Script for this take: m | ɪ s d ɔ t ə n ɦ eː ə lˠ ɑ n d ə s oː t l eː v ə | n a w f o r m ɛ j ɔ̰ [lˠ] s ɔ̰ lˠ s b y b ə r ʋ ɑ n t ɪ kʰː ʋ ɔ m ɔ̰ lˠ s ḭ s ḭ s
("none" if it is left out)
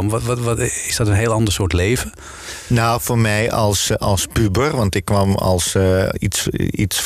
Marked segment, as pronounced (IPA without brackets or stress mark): lˠ